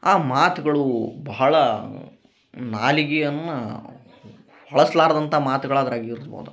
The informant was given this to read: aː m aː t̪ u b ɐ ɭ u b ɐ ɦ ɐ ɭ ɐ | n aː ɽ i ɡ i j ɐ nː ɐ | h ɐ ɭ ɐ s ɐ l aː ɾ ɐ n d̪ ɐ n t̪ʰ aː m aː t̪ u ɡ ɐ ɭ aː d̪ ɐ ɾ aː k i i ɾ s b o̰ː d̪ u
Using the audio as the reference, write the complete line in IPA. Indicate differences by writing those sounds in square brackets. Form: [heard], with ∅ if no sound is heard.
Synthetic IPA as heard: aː m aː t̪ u [ɡ] ɐ ɭ u b ɐ ɦ ɐ ɭ ɐ | n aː [l] i ɡ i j ɐ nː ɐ | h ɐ ɭ ɐ s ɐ l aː ɾ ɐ [∅] d̪ ɐ n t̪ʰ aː m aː t̪ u ɡ ɐ ɭ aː d̪ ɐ ɾ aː [ɡ] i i ɾ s b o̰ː d̪ u